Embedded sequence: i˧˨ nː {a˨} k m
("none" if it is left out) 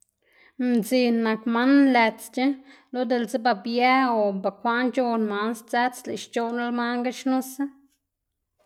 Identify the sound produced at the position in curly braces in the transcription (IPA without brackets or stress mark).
a˨